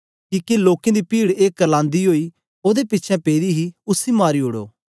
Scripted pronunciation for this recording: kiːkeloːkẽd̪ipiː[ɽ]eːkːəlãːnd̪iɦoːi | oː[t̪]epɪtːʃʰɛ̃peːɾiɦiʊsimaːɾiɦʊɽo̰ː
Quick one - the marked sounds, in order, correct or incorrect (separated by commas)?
correct, incorrect